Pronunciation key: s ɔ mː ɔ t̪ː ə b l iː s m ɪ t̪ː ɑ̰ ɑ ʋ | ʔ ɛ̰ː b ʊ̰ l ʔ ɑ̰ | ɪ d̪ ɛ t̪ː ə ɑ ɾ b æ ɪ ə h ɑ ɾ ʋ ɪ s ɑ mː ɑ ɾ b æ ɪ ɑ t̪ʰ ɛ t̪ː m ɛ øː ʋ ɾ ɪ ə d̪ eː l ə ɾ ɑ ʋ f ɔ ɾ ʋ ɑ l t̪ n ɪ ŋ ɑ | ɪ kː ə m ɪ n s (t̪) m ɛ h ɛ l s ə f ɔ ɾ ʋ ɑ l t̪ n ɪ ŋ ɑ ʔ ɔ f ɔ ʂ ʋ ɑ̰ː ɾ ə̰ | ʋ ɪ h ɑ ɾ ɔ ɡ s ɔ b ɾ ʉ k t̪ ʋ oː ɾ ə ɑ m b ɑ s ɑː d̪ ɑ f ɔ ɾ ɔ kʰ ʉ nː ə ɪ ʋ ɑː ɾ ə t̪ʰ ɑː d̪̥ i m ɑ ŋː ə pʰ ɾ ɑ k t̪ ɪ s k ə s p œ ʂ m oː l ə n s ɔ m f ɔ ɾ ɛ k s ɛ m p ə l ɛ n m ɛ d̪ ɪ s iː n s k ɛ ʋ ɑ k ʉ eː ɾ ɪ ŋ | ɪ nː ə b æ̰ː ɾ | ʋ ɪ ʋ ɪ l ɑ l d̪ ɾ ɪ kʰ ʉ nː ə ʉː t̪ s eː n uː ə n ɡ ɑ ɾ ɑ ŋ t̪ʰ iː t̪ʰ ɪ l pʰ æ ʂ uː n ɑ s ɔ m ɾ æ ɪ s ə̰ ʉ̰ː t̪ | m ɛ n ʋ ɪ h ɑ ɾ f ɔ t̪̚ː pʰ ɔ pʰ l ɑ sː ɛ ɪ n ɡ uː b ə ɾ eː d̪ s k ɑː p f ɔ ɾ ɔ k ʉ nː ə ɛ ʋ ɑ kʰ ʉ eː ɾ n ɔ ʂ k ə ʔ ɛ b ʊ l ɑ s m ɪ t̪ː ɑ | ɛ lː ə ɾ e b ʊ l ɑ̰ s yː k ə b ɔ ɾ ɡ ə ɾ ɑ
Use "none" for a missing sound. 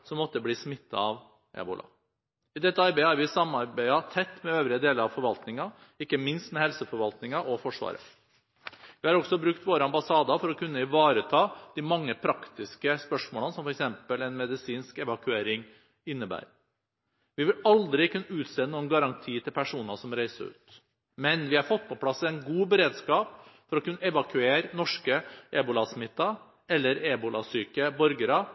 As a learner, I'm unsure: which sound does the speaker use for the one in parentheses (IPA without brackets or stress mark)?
t̪